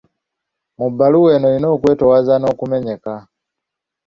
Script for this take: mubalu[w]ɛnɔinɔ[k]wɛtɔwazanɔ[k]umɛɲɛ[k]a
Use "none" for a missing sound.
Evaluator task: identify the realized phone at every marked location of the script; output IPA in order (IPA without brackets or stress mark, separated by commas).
w, k, k, k